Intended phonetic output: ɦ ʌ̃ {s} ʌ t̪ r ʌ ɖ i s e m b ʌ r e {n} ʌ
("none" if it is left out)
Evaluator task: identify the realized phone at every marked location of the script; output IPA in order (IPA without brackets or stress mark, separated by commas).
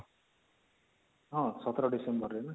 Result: s, n